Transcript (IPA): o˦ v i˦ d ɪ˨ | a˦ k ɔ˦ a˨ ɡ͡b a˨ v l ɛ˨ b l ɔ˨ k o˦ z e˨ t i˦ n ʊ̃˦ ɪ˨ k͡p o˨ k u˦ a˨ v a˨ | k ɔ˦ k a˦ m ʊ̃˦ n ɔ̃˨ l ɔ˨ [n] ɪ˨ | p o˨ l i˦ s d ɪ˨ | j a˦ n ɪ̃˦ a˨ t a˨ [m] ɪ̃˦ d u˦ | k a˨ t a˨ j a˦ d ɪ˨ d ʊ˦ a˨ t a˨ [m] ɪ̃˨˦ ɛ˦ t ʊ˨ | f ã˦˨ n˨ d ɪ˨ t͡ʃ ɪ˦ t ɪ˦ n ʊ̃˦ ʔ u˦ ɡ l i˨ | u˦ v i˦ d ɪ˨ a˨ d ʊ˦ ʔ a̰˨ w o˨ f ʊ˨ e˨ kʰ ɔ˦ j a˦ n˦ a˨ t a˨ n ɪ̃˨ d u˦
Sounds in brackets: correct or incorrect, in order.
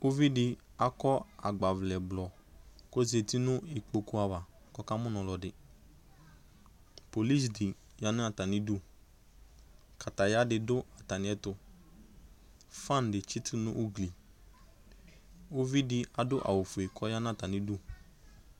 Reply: incorrect, incorrect, incorrect

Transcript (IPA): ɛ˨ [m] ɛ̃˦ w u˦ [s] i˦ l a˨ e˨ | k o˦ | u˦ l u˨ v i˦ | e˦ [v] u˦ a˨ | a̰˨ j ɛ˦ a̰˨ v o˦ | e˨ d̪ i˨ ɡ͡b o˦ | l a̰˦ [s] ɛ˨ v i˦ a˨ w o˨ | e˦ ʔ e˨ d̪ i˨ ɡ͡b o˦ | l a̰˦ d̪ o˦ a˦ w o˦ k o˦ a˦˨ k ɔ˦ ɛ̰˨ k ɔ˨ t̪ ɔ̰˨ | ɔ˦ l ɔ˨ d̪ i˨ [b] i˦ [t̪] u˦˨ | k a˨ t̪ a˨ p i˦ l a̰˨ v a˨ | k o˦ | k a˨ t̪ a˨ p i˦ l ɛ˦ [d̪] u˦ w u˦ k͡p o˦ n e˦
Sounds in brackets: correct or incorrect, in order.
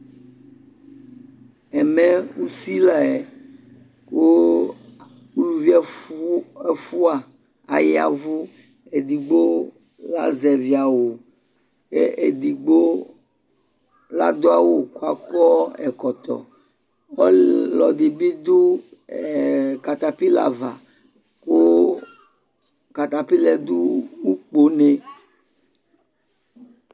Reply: correct, correct, incorrect, incorrect, correct, incorrect, correct

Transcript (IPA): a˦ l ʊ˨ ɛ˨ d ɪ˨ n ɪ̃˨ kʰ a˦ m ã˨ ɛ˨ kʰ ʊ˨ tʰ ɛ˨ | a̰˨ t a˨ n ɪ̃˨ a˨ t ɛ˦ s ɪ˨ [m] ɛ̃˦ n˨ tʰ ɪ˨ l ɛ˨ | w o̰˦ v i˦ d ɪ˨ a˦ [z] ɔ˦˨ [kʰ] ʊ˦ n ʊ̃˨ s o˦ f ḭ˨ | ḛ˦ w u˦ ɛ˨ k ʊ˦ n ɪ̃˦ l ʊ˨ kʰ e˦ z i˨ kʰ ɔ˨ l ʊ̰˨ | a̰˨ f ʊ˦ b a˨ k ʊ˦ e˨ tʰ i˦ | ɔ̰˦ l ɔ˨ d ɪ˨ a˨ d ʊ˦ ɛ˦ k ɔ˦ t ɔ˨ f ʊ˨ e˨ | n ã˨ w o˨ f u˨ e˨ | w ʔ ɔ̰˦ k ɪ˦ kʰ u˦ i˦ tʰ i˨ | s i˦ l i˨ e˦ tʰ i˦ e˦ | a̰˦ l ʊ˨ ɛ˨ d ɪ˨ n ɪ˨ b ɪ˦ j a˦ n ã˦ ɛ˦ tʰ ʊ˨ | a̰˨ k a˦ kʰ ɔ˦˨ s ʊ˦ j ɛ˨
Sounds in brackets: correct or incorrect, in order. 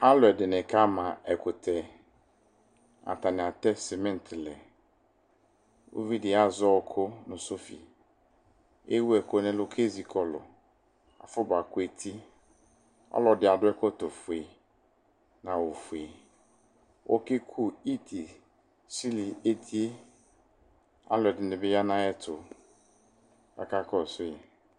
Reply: correct, correct, correct

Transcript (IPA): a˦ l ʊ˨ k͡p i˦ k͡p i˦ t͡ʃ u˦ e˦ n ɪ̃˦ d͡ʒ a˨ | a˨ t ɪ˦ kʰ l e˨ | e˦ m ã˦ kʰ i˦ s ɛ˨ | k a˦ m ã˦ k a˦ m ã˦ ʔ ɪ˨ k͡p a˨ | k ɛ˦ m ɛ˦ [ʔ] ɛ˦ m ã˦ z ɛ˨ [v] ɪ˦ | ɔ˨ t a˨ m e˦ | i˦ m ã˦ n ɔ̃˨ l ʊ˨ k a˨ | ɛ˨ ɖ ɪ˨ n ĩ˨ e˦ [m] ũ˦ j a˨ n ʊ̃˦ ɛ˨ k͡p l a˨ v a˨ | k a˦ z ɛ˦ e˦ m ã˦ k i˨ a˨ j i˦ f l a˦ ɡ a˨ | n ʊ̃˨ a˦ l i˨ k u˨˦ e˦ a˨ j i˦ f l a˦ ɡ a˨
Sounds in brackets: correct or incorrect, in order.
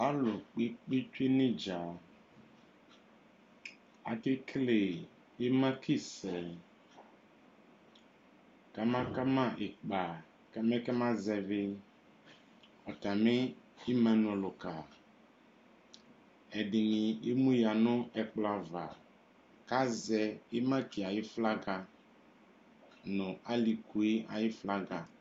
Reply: incorrect, correct, correct

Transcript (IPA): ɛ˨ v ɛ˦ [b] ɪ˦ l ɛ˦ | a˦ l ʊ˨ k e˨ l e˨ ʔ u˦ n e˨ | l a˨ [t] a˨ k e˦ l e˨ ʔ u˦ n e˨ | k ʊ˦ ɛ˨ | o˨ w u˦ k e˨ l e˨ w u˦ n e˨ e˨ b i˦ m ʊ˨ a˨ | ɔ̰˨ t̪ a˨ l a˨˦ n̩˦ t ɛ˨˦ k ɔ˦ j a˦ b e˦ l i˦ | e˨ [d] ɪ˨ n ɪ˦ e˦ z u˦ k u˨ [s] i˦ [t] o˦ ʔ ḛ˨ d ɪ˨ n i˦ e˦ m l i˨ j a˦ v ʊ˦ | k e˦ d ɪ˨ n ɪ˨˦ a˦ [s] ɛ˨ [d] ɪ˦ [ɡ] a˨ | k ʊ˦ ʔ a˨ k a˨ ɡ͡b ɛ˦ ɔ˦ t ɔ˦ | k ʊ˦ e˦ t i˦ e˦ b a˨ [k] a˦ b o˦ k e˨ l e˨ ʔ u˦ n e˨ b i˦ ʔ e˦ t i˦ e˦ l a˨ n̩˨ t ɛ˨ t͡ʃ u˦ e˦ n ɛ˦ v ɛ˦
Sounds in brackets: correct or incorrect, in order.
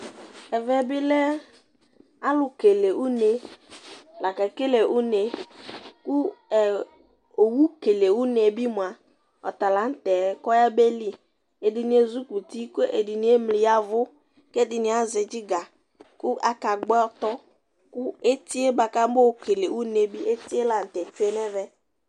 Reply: correct, incorrect, correct, incorrect, incorrect, incorrect, incorrect, correct, correct

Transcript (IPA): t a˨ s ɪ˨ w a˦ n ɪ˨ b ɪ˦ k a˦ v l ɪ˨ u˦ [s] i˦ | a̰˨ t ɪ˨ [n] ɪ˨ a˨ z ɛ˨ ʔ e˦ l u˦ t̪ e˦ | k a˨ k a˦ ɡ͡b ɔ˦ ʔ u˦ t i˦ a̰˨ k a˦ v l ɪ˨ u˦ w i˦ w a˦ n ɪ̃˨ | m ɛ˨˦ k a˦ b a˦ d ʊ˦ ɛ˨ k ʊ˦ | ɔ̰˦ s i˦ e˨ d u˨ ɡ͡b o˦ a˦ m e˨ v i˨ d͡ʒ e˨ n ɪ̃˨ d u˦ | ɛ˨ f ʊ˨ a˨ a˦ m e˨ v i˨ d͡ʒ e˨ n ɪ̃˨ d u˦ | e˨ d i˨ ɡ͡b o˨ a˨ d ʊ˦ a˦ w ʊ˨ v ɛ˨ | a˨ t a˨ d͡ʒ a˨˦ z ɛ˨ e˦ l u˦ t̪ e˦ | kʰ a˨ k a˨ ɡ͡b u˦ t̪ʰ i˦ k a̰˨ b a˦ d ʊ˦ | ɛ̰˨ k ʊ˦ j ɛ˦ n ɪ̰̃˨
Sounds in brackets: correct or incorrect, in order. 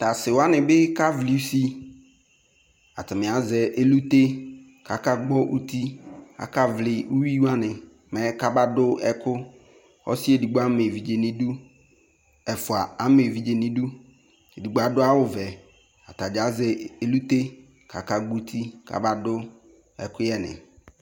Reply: correct, incorrect

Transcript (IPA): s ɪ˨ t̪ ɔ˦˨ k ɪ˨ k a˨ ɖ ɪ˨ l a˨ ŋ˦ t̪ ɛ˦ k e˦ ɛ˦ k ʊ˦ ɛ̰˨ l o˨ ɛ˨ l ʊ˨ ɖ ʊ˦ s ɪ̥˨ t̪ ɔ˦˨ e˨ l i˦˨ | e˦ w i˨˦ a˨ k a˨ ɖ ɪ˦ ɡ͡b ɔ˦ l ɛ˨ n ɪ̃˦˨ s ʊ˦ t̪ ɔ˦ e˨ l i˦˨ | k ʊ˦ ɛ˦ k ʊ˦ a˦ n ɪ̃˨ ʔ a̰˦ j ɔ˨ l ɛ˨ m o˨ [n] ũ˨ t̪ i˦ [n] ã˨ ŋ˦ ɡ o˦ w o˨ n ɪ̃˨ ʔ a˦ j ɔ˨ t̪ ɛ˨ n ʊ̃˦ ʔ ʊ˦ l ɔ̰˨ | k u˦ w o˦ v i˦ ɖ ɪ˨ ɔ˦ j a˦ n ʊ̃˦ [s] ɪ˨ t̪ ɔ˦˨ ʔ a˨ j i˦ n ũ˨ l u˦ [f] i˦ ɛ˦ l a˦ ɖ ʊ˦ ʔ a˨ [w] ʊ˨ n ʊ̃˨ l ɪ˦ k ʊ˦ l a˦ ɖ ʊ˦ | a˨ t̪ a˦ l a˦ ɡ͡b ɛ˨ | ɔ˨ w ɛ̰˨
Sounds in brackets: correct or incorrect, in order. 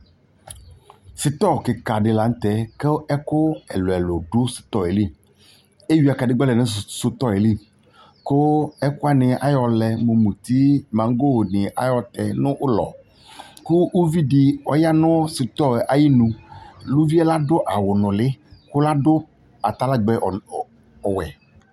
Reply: incorrect, incorrect, correct, incorrect, correct

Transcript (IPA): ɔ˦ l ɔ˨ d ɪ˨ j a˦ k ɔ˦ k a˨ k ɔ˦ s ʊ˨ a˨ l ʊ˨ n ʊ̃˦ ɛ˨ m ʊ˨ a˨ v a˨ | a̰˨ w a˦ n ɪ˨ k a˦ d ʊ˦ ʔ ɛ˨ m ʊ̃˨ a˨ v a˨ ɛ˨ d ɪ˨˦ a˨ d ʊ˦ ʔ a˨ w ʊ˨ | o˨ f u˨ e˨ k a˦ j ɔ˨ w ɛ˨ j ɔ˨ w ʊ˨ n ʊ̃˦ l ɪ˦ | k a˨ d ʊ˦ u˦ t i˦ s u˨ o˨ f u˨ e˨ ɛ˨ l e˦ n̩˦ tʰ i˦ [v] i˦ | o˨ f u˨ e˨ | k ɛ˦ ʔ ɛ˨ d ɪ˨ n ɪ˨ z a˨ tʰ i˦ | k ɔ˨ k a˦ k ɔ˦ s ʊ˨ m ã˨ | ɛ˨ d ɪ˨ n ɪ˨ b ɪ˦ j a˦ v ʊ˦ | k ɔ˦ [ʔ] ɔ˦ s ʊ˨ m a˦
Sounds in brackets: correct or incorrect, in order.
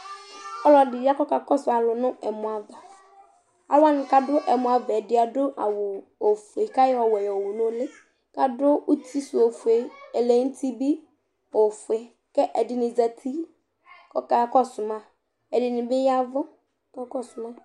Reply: incorrect, incorrect

